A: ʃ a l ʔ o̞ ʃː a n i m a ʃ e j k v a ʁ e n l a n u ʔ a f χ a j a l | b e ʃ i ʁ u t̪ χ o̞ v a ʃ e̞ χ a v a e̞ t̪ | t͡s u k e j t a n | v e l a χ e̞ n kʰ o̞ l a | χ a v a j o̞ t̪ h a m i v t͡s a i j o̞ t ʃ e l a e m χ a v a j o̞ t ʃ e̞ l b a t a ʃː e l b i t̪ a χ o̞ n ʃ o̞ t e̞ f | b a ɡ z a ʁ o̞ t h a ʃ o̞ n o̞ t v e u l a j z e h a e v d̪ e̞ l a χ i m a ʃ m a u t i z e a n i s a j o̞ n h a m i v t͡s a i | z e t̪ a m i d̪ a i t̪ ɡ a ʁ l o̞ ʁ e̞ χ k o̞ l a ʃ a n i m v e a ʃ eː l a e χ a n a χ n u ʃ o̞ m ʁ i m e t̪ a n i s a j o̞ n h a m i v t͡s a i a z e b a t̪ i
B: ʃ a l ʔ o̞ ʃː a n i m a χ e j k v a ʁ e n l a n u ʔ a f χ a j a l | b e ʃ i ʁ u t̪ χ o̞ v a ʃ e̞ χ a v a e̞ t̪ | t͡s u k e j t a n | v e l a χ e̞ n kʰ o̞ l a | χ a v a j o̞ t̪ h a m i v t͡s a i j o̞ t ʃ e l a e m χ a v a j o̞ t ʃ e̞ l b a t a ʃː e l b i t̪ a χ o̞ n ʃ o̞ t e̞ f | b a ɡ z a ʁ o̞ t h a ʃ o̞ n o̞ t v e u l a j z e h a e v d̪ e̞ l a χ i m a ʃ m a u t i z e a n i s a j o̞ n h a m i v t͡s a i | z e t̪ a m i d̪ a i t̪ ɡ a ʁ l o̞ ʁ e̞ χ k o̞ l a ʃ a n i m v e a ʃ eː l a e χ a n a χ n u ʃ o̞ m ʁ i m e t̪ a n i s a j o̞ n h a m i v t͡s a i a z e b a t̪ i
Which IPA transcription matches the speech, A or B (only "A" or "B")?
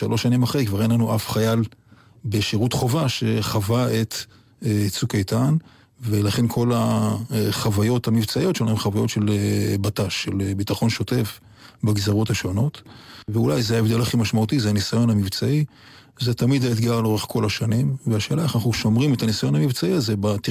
B